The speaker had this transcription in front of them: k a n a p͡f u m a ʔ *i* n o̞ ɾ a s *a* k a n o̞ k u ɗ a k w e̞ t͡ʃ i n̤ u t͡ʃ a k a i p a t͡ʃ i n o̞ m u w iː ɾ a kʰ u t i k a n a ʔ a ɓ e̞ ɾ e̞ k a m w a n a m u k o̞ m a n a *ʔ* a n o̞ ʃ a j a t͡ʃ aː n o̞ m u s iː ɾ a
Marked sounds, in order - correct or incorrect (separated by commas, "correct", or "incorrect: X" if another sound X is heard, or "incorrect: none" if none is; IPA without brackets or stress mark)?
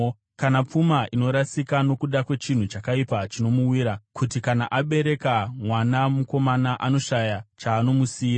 correct, incorrect: i, correct